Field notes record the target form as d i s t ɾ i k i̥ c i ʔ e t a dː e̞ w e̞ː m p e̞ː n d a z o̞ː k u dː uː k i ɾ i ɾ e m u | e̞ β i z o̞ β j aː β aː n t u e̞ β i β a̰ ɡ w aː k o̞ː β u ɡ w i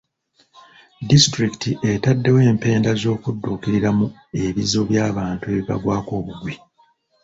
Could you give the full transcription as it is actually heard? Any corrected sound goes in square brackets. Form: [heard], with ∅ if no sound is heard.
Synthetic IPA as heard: d i s t ɾ i k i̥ [t] i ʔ e t a dː e̞ w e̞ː m p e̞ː n d a z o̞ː k u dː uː k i ɾ i ɾ [a] m u | e̞ β i z o̞ β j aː β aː n t u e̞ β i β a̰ ɡ w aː k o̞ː β u ɡ w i